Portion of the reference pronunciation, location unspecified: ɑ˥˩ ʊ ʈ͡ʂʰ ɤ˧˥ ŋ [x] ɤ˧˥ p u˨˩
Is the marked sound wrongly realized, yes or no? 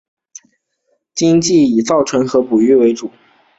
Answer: no